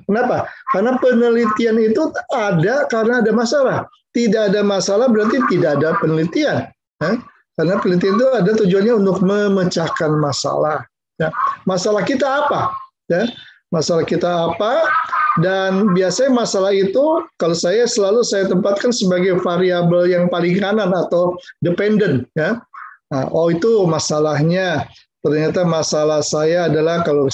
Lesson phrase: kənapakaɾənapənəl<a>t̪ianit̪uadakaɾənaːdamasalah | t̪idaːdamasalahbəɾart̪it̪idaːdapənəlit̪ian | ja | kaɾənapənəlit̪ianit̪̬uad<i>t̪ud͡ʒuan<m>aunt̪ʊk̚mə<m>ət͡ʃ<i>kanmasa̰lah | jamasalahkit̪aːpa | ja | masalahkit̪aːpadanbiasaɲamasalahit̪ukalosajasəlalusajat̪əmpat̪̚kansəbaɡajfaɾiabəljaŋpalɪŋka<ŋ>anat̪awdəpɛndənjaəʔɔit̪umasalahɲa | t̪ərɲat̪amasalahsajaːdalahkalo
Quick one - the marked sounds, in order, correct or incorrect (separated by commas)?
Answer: incorrect, incorrect, incorrect, correct, incorrect, incorrect